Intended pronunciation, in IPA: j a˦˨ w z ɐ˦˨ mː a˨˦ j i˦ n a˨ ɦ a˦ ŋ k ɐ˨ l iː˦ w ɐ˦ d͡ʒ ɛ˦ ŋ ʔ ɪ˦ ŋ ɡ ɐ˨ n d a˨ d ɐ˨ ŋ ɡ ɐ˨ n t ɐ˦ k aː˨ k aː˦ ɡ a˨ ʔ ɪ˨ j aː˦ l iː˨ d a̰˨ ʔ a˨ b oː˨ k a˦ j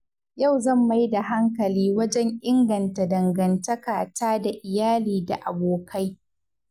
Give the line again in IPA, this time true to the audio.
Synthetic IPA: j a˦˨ w z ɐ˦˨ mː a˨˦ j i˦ d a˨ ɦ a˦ ŋ k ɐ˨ l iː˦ w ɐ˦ d͡ʒ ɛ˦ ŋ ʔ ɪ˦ ŋ ɡ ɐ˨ n t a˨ d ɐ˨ ŋ ɡ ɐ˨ n t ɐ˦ k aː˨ t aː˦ d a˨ ʔ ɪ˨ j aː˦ l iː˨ d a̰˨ ʔ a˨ b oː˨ k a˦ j